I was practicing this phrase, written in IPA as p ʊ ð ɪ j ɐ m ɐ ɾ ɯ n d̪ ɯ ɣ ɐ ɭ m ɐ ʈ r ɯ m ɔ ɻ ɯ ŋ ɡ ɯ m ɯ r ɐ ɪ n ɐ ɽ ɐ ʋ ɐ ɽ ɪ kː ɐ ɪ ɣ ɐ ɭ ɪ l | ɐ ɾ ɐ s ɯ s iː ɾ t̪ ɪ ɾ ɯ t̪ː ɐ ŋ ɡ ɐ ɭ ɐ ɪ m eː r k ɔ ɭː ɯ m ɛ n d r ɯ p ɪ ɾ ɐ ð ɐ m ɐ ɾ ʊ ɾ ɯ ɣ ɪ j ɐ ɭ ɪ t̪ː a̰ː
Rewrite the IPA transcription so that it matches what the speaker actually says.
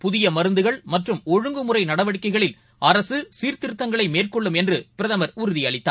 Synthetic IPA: p ʊ ð ɪ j ɐ m ɐ ɾ ɯ n d̪ ɯ ɣ ɐ ɭ m ɐ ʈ r ɯ m ɔ ɻ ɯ ŋ ɡ ɯ m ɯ r ɐ ɪ n ɐ ɽ ɐ ʋ ɐ ɽ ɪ kː ɐ ɪ ɣ ɐ ɭ ɪ l | ɐ ɾ ɐ s ɯ s iː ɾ t̪ ɪ ɾ ɯ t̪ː ɐ ŋ ɡ ɐ ɭ ɐ ɪ m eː r k ɔ ɭː ɯ m ɛ n d r ɯ p ɪ ɾ ɐ ð ɐ m ɐ ɾ ʊ ɾ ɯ ð ɪ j ɐ ɭ ɪ t̪ː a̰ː